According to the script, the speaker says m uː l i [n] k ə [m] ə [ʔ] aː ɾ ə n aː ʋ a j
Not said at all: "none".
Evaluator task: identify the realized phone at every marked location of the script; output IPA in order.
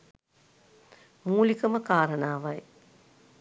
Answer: none, m, k

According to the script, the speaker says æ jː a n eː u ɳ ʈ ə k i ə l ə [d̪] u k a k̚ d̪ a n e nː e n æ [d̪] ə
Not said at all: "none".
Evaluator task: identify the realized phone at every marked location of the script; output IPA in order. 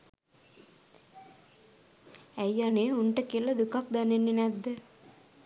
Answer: d̪, d̪ː

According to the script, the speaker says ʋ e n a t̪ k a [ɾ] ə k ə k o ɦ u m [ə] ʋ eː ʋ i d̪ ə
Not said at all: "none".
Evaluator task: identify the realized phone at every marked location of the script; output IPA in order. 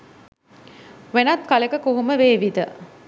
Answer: l, ə

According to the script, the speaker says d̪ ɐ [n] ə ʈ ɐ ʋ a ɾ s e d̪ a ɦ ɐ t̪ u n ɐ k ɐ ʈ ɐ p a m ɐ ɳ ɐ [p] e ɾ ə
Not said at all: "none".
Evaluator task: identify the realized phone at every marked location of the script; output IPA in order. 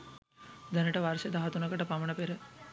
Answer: n, p

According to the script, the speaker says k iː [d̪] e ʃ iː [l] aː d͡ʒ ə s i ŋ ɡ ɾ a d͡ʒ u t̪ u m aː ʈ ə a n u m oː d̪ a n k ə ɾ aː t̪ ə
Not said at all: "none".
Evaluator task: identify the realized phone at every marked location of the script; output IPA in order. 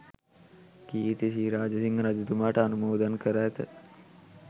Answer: t̪, ɾ

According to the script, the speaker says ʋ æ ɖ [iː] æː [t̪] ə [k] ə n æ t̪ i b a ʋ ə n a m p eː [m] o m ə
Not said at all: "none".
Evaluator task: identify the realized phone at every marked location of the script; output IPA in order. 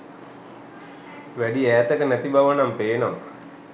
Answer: i, t̪, k, n

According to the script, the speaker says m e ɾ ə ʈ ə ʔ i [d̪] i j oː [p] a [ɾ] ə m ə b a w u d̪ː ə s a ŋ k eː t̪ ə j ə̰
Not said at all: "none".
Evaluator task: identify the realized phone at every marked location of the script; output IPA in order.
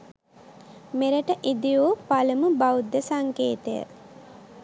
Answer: d̪, p, l

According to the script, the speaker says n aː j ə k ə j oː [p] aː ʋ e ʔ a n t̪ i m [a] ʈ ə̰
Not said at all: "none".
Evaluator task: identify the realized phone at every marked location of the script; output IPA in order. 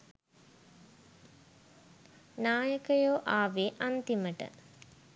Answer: ʔ, ə

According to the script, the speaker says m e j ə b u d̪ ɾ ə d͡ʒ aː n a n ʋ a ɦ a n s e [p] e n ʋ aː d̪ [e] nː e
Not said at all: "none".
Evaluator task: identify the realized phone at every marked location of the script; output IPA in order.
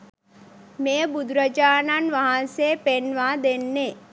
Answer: p, e

